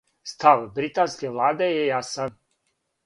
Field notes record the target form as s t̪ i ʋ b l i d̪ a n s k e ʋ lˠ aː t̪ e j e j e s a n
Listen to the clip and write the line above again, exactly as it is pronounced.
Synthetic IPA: s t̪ a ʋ b ɾ i t̪ a n s k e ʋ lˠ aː d̪ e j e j a s a n